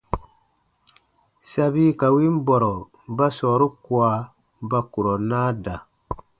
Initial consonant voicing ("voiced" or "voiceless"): voiceless